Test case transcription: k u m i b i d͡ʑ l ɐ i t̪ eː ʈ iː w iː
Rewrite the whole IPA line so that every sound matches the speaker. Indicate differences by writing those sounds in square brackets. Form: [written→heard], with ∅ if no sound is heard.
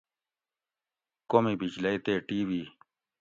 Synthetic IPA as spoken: k [u→o] m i b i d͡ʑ l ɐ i t̪ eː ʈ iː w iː